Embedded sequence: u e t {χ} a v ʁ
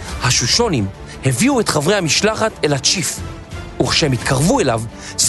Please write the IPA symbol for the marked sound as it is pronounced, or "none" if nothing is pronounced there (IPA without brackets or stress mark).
χ